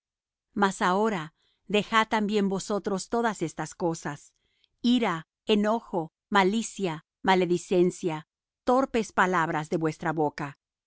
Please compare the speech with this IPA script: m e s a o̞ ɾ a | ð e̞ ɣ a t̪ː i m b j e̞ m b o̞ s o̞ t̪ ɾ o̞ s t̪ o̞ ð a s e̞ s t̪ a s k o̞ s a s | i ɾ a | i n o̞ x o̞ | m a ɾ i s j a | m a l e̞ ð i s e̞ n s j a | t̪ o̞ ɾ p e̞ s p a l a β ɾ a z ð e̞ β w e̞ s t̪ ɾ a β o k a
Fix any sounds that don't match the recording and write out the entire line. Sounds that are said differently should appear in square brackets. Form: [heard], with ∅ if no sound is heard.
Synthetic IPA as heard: m [a] s a o̞ ɾ a | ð e̞ [x] a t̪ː [a] m b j e̞ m b o̞ s o̞ t̪ ɾ o̞ s t̪ o̞ ð a s e̞ s t̪ a s k o̞ s a s | i ɾ a | [e] n o̞ x o̞ | m a [l] i s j a | m a l e̞ ð i s e̞ n s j a | t̪ o̞ ɾ p e̞ s p a l a β ɾ a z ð e̞ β w e̞ s t̪ ɾ a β o k a